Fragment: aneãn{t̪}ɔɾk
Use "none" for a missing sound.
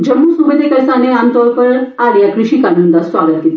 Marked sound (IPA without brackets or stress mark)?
t̪